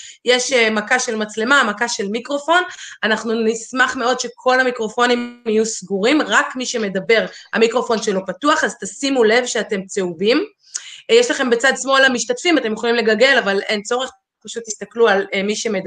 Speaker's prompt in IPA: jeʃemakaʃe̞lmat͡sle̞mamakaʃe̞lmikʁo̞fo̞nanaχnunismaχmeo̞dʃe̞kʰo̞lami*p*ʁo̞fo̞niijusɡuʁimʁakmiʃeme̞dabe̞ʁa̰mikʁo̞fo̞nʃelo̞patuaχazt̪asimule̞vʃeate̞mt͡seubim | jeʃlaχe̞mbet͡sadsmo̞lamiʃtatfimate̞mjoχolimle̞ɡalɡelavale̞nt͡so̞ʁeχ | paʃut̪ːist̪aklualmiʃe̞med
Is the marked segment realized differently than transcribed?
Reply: yes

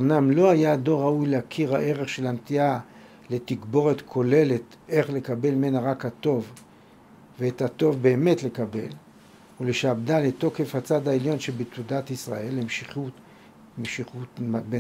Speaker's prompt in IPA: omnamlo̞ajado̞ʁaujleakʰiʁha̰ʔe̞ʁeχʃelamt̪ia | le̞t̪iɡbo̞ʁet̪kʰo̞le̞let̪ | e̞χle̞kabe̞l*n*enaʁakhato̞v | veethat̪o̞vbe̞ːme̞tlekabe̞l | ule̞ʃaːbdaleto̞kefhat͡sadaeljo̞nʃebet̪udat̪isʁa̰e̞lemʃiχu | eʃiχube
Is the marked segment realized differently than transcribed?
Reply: yes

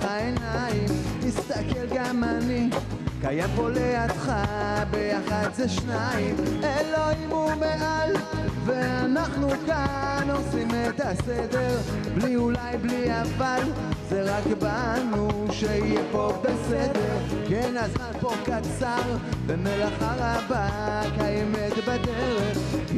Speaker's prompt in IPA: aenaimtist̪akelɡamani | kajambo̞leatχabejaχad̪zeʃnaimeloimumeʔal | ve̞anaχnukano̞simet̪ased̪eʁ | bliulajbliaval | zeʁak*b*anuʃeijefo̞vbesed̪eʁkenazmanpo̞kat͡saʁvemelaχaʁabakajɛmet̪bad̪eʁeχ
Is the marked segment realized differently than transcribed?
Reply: no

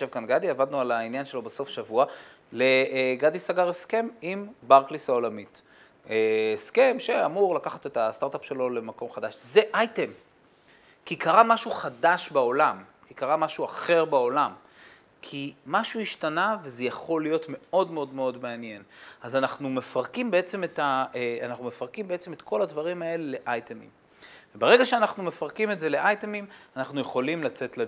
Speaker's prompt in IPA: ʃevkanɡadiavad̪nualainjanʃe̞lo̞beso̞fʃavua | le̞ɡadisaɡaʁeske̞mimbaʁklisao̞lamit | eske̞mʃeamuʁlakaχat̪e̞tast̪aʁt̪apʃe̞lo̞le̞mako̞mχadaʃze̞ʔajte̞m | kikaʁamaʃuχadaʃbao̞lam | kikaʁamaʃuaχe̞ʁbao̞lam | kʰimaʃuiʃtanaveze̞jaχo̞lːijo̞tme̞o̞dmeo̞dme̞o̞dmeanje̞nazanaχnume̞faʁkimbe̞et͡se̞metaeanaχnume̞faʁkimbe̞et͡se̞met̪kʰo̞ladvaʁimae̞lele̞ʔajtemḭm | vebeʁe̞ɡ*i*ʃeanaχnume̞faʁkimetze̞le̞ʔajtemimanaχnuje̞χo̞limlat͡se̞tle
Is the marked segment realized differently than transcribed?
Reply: yes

